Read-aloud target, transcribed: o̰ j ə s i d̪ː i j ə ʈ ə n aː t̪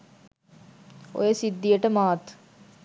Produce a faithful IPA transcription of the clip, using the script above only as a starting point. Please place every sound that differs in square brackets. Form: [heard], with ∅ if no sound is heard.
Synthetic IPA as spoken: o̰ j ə s i d̪ː i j ə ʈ ə [m] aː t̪